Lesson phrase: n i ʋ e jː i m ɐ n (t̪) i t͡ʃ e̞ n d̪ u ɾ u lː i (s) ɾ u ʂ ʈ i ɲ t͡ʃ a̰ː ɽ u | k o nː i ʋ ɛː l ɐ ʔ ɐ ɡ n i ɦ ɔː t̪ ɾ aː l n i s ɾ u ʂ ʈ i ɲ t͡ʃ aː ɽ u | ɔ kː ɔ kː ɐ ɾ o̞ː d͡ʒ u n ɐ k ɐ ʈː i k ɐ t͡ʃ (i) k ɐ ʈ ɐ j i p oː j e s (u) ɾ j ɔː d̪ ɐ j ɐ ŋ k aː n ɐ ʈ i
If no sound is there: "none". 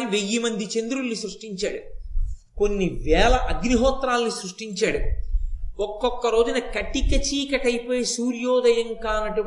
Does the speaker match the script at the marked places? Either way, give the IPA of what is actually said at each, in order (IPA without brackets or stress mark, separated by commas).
d̪, s, iː, uː